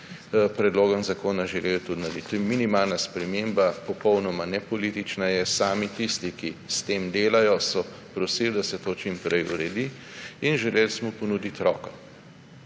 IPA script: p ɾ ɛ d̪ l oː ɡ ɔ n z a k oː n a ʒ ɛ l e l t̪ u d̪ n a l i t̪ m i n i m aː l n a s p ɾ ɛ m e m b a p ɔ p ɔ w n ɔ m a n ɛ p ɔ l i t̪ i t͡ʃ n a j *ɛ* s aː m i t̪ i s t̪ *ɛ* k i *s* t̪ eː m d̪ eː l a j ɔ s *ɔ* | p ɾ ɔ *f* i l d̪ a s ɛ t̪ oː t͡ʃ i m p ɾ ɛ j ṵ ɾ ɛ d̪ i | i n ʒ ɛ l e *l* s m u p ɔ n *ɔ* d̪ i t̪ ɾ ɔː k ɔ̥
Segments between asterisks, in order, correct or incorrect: correct, incorrect, correct, correct, incorrect, correct, incorrect

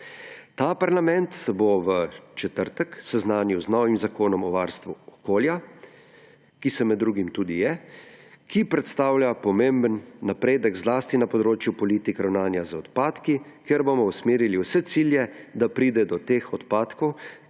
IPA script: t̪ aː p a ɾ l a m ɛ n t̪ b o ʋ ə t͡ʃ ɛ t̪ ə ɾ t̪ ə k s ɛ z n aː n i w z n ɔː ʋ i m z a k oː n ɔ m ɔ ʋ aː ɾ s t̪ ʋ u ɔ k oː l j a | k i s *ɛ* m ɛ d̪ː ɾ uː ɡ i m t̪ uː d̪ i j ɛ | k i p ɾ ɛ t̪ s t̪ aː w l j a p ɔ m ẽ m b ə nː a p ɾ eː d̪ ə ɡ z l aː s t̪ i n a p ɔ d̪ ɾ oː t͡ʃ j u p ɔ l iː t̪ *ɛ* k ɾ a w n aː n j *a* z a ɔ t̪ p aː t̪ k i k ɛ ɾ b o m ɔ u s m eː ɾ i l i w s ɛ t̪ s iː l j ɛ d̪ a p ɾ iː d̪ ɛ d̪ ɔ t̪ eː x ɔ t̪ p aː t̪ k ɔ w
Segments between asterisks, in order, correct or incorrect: correct, incorrect, correct

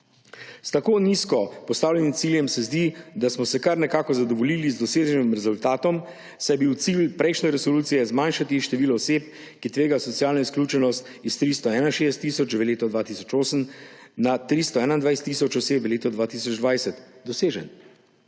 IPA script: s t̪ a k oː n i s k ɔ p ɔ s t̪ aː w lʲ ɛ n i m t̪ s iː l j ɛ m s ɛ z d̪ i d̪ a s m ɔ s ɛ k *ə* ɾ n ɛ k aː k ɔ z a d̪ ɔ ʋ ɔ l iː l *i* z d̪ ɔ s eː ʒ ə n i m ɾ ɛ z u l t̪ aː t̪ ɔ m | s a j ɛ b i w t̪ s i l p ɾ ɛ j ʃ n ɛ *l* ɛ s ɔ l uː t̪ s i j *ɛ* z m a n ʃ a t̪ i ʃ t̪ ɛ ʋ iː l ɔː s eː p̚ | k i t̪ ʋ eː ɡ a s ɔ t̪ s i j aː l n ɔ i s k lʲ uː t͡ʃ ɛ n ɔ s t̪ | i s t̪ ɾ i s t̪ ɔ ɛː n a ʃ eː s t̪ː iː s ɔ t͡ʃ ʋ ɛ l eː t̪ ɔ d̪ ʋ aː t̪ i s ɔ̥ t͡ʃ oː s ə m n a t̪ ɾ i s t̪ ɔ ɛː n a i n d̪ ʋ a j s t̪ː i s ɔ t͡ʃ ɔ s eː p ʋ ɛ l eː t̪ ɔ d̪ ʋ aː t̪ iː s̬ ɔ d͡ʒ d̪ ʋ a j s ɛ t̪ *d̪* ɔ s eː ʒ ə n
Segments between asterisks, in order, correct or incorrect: incorrect, correct, incorrect, correct, correct

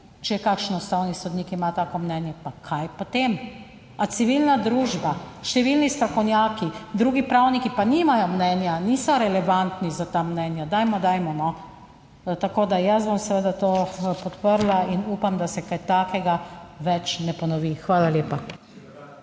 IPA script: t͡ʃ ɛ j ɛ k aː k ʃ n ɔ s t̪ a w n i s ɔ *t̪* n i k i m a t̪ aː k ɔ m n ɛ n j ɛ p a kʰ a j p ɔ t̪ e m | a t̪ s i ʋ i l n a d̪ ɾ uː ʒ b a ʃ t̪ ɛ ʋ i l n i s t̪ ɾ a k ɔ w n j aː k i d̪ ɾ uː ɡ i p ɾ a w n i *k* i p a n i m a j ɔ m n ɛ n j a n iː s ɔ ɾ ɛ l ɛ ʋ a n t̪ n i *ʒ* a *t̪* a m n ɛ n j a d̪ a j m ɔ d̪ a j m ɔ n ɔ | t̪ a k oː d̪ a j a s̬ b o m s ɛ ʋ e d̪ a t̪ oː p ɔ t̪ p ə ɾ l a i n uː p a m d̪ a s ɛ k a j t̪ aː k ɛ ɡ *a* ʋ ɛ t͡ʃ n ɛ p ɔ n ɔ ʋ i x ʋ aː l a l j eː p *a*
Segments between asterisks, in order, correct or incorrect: incorrect, correct, incorrect, correct, correct, correct

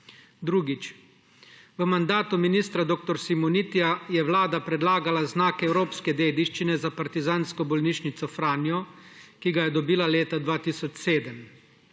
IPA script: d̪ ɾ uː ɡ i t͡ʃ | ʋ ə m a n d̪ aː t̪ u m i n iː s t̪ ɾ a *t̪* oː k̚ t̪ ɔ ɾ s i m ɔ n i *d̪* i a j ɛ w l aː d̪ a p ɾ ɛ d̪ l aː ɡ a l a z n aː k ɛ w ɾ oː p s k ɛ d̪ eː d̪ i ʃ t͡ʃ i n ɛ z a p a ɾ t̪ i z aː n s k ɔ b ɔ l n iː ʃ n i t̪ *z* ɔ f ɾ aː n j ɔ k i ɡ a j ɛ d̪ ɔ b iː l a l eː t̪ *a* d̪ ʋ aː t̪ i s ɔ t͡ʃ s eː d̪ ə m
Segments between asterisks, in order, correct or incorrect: incorrect, incorrect, incorrect, correct

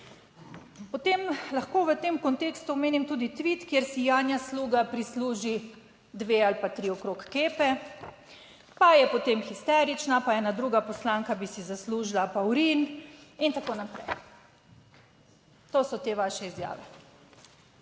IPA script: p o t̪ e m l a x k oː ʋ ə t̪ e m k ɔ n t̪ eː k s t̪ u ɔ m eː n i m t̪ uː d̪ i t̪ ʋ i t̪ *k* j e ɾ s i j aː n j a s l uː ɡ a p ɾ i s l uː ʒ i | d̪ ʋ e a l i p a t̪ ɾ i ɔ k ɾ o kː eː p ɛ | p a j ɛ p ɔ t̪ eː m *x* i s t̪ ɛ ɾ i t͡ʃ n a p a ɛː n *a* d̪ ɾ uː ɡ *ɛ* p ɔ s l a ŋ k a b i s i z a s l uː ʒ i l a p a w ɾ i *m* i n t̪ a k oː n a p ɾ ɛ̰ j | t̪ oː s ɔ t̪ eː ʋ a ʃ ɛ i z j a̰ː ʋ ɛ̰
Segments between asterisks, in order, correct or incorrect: correct, correct, correct, incorrect, incorrect

